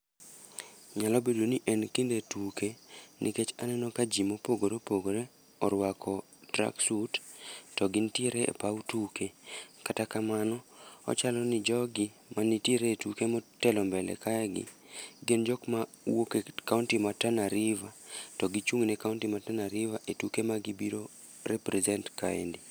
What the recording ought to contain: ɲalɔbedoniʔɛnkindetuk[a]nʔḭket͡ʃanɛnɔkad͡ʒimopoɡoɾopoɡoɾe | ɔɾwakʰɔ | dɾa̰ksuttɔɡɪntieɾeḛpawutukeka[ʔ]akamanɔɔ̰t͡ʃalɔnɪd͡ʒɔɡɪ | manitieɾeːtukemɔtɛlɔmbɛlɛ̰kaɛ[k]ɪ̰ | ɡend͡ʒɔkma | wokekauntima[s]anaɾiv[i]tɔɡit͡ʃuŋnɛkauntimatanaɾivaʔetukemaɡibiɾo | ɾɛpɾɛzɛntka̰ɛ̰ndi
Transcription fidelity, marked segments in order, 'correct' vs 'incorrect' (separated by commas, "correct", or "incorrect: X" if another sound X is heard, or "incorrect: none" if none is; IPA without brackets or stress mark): incorrect: e, incorrect: t, incorrect: ɡ, incorrect: t, incorrect: a